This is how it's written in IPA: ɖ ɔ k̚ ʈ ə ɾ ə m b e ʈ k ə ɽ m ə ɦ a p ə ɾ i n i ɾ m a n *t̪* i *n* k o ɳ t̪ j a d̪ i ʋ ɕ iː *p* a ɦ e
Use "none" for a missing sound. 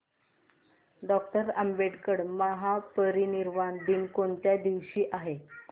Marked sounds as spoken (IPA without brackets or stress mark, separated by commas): d̪, n, ʔ